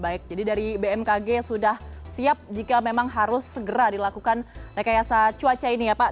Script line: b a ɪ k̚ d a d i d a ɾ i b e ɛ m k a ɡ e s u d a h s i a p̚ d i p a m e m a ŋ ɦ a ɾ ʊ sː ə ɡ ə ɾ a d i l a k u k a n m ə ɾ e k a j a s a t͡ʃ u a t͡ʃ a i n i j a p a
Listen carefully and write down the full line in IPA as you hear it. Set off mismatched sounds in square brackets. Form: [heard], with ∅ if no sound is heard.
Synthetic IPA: b a ɪ k̚ [d͡ʒ] a d i d a ɾ i b e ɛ m k a ɡ e s u d a h s i a p̚ [d͡ʒ] i [k] a m e m a ŋ ɦ a ɾ ʊ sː ə ɡ ə ɾ a d i l a k u k a n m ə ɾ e k a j a s a t͡ʃ u a t͡ʃ a i n i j a p a